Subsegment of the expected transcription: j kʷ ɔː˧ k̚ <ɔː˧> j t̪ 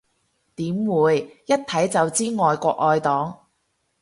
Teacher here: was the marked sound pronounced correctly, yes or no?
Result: yes